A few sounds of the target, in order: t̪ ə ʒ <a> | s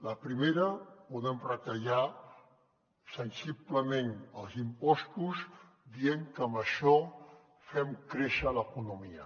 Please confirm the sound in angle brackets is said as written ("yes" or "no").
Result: yes